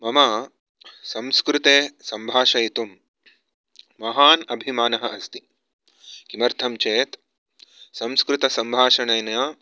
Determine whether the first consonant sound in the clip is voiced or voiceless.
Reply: voiced